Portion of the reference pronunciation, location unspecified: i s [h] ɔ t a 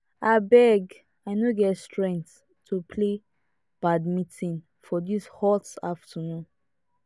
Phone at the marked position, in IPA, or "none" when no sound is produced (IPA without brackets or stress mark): h